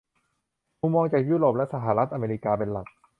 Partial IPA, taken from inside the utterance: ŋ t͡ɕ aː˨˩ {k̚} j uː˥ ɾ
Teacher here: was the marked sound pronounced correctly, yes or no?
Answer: yes